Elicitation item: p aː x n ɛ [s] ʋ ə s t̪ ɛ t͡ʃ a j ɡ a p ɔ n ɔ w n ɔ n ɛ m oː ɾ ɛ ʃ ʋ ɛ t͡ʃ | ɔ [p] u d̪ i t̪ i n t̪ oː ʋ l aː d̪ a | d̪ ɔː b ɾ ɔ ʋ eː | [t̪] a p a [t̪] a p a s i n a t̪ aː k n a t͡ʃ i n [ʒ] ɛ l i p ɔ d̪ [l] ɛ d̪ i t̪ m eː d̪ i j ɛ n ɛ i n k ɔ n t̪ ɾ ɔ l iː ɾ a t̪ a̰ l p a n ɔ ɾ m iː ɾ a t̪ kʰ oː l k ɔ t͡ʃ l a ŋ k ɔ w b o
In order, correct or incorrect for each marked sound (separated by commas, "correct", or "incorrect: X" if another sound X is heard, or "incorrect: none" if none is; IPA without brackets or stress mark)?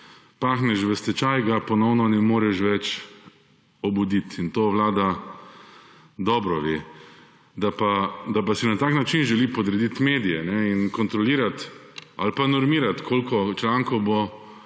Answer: incorrect: ʃ, incorrect: b, incorrect: d̪, incorrect: d̪, correct, incorrect: ɾ